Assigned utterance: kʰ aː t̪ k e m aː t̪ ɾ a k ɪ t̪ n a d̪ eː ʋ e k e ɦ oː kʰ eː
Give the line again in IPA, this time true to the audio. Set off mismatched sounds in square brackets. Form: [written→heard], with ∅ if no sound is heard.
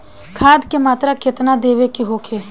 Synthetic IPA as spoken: kʰ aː [t̪→d̪] k e m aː t̪ ɾ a k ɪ t̪ n a d̪ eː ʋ e k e ɦ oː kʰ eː